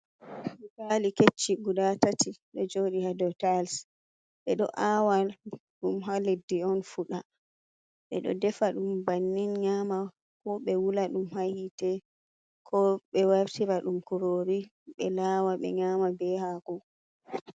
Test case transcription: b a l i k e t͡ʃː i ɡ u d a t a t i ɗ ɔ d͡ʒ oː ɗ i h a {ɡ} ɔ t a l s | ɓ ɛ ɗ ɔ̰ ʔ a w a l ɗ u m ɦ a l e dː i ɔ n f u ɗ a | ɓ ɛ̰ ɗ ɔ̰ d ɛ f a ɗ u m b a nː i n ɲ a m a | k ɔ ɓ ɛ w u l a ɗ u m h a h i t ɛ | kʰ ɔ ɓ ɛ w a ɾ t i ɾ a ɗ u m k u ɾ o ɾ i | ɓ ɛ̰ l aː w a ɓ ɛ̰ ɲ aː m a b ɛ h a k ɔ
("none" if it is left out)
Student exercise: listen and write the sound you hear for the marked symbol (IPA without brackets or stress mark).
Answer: d